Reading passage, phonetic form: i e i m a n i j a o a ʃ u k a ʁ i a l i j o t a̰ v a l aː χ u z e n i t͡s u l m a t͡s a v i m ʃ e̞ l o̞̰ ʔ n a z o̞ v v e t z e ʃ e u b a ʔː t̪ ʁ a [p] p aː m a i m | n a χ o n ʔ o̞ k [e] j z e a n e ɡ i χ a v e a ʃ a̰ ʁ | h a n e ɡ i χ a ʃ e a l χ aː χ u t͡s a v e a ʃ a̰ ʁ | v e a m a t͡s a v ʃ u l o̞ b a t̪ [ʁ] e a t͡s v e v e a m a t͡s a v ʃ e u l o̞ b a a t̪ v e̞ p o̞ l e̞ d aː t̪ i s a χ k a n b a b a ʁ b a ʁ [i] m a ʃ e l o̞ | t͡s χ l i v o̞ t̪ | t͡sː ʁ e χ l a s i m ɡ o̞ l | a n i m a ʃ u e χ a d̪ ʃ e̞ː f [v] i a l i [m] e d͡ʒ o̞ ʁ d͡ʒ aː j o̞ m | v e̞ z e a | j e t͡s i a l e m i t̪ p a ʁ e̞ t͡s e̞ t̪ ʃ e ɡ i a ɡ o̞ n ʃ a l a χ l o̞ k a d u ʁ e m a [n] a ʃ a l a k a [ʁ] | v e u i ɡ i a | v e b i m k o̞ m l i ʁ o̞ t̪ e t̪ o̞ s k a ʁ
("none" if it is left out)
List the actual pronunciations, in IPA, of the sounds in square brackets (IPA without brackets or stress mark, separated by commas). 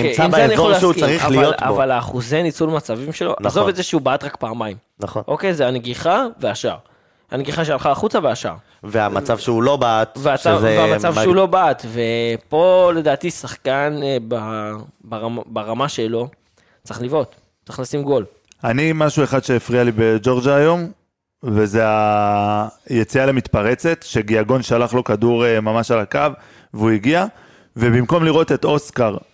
k, e, v, a, ʁ, b, m, v